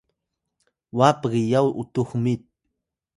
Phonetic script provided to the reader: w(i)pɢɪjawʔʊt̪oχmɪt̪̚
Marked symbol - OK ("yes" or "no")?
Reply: no